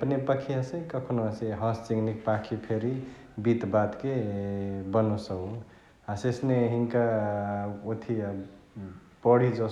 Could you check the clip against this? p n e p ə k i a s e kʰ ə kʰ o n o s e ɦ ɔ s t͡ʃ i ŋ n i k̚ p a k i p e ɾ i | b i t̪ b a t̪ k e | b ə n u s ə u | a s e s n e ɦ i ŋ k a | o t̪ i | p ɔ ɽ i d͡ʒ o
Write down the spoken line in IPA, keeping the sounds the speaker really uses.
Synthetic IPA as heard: p n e p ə kʰ i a s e k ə kʰ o n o s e ɦ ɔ s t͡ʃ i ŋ n i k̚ p a kʰ i pʰ e ɾ i | b i t̪ b a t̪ k e | b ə n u s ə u | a s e s n e ɦ i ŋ k a | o t̪ʰ i | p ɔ ɽ i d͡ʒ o